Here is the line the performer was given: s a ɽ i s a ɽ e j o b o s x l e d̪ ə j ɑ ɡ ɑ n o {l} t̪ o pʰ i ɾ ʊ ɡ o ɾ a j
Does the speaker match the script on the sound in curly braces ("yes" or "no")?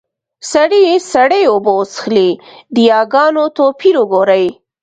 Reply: no